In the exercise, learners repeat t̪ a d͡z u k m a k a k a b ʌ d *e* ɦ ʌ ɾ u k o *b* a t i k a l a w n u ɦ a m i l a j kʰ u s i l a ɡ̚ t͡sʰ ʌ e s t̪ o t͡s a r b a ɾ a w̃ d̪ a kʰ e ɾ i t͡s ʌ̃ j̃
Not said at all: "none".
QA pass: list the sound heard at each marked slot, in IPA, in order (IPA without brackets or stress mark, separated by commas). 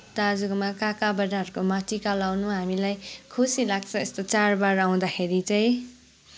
a, m